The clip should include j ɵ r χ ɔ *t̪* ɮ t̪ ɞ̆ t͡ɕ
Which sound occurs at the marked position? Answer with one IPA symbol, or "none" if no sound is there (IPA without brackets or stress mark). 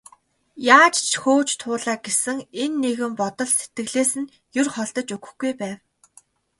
none